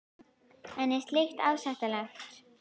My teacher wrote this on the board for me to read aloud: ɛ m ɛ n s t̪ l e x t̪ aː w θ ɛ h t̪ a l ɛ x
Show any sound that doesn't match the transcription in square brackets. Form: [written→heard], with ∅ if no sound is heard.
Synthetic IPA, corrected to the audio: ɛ [m→n] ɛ [n→∅] s t̪ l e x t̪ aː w [θ→s] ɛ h t̪ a l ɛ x